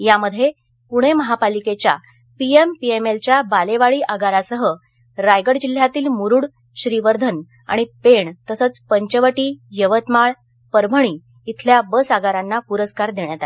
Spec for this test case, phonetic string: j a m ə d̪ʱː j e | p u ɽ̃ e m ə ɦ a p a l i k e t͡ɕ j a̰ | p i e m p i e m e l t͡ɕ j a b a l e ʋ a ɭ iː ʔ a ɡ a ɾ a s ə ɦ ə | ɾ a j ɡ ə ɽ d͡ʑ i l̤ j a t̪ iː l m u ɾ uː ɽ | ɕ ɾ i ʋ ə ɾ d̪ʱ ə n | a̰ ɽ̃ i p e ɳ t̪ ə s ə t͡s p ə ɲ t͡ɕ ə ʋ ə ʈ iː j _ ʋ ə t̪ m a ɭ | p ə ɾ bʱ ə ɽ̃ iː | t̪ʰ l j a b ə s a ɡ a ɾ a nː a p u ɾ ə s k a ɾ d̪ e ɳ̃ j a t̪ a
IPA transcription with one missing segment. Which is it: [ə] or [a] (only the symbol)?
ə